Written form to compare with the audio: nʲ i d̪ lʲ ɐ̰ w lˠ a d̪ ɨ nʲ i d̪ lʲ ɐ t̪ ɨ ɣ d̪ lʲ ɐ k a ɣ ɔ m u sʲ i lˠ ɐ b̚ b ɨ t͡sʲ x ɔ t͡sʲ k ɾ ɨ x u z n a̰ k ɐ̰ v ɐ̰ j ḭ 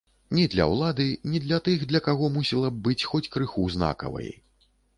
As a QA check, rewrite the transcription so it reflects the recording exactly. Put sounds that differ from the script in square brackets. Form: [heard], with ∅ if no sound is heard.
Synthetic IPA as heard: nʲ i d̪ lʲ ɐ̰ w lˠ a d̪ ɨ nʲ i d̪ lʲ ɐ t̪ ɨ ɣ d̪ lʲ ɐ k a ɣ ɔ m u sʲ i lˠ ɐ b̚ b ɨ t͡sʲ x ɔ t͡sʲ k ɾ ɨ x u z n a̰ k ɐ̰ v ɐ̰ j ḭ